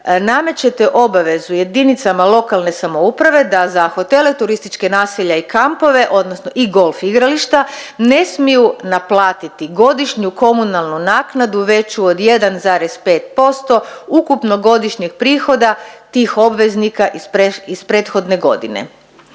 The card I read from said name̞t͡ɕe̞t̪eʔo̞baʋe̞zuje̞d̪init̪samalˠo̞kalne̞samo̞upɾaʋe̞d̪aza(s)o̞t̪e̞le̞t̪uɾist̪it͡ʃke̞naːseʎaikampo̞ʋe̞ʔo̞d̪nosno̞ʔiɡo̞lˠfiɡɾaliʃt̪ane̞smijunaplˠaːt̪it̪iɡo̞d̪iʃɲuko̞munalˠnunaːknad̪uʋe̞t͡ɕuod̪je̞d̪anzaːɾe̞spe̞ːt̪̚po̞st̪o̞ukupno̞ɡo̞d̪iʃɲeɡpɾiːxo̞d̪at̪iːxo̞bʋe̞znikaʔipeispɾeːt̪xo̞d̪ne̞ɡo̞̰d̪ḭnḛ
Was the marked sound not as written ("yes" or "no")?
yes